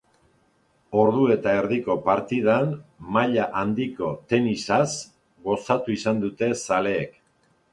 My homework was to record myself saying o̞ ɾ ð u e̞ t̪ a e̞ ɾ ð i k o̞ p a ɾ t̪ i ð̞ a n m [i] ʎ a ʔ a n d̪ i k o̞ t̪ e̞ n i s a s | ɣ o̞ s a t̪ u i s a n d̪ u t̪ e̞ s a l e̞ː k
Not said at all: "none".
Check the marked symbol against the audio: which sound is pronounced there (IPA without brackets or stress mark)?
a